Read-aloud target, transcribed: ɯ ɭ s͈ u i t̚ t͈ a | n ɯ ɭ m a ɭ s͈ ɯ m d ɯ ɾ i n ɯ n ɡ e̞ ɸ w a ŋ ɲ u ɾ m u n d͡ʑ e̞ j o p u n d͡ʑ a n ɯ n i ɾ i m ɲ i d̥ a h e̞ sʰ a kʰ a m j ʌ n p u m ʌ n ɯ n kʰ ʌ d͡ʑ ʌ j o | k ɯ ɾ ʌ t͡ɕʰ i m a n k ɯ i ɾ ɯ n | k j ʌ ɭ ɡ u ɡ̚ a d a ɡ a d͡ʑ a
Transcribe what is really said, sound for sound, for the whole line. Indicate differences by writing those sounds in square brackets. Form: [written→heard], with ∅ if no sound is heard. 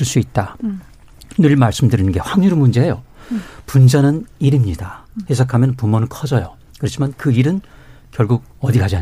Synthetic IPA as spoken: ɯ ɭ s͈ u i t̚ t͈ a | n ɯ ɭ m a ɭ s͈ ɯ m d ɯ ɾ i n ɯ n ɡ e̞ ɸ w a ŋ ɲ u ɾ m u n d͡ʑ e̞ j o p u n d͡ʑ a n ɯ n i ɾ i m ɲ i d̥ a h e̞ sʰ a kʰ a m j ʌ n p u m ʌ n ɯ n kʰ ʌ d͡ʑ ʌ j o | k ɯ ɾ ʌ t͡ɕʰ i m a n k ɯ i ɾ ɯ n | k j ʌ ɭ ɡ u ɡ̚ [a→ʌ] d [a→i] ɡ a d͡ʑ a